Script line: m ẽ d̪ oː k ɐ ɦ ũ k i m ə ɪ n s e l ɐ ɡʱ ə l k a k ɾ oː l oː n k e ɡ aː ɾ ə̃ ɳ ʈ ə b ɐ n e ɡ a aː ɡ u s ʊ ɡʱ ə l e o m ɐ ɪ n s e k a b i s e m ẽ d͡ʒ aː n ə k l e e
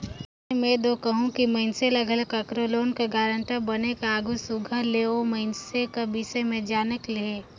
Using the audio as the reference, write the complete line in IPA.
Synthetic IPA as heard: m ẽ d̪ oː k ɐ ɦ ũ k i m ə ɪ n s e l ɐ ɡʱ ə l k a k ɾ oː l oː n k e ɡ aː ɾ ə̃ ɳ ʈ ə b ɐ n e k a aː ɡ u s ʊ ɡʱ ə l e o m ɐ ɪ n s e k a b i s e m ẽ d͡ʒ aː n ə k l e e